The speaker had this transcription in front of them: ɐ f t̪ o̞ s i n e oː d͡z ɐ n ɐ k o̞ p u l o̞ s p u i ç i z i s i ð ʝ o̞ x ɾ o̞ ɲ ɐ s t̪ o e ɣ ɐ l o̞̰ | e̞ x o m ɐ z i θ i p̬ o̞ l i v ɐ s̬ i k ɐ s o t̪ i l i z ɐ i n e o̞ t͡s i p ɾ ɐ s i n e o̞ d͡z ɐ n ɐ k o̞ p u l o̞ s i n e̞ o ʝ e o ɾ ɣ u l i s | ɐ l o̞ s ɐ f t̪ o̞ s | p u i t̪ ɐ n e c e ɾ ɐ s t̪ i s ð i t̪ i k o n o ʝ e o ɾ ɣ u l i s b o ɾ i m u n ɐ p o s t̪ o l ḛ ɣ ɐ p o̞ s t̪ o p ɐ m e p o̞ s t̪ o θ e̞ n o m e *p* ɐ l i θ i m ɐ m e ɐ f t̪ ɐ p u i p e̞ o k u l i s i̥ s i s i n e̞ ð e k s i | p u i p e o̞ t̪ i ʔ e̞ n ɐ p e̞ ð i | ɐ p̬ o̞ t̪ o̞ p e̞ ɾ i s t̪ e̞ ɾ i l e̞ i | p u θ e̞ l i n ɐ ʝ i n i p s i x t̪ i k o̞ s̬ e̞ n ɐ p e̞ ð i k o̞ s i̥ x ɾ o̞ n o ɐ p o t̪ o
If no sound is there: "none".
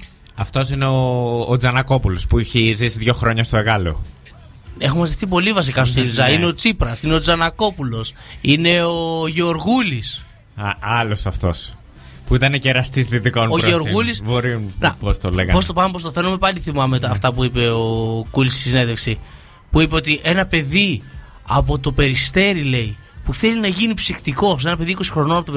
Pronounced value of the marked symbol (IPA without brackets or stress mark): p